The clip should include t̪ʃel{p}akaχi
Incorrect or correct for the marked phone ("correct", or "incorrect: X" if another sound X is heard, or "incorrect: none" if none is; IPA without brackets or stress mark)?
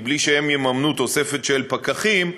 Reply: correct